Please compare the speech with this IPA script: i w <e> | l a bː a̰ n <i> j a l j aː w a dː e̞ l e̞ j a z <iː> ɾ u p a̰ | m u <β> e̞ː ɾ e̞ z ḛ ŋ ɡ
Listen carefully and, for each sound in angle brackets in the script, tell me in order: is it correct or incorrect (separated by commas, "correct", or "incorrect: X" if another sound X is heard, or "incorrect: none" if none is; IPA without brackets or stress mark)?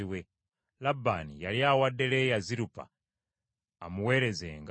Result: correct, correct, incorrect: i, incorrect: w